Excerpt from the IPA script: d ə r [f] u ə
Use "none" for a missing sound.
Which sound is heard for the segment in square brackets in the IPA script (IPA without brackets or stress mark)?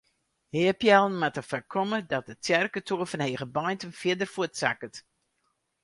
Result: f